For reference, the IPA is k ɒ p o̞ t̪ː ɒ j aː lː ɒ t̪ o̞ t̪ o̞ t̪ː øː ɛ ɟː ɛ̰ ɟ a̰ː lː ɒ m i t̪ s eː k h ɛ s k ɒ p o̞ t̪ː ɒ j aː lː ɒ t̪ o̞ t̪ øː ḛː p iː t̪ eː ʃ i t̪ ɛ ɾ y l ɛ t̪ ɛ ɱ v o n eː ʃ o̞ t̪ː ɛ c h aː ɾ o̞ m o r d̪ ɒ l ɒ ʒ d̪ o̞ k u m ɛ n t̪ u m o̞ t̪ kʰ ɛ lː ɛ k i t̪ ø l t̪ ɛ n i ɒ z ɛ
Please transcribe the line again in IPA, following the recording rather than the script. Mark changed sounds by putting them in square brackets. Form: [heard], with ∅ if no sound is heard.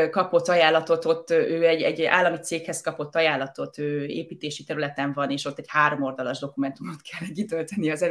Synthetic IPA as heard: k ɒ p o̞ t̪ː ɒ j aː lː ɒ t̪ o̞ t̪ o̞ t̪ː øː ɛ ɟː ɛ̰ ɟ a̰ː lː ɒ m i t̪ s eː k h ɛ s k ɒ p o̞ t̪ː ɒ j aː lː ɒ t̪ o̞ t̪ øː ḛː p iː t̪ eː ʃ i t̪ ɛ ɾ y l ɛ t̪ ɛ ɱ v [ɒ] n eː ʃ o̞ t̪ː ɛ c h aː ɾ o̞ m o r d̪ ɒ l ɒ ʒ d̪ o̞ k u m ɛ n t̪ u m o̞ t̪ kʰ ɛ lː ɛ k i t̪ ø l t̪ ɛ n i ɒ z ɛ